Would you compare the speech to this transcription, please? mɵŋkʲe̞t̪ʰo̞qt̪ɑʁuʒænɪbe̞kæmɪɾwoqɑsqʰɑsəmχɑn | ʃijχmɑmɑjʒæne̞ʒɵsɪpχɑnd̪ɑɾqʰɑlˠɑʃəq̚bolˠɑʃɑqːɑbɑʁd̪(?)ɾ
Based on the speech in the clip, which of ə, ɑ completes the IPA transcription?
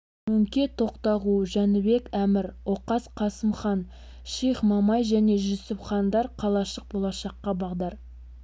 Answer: ɑ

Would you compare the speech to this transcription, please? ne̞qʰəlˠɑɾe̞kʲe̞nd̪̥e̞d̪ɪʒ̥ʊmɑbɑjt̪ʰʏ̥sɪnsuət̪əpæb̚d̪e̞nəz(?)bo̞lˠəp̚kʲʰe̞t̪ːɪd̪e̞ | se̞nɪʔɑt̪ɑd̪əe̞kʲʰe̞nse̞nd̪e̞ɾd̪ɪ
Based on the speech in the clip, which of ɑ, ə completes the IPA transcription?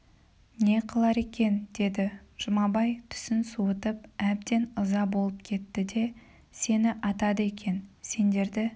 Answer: ɑ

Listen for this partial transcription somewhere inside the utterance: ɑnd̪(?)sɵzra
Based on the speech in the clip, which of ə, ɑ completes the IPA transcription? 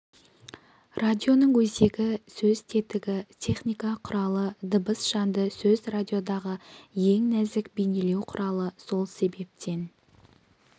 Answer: ə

